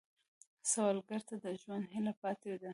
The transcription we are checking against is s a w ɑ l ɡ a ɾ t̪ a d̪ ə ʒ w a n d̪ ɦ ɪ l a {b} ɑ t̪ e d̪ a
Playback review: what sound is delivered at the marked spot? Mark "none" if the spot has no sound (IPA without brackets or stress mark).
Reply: p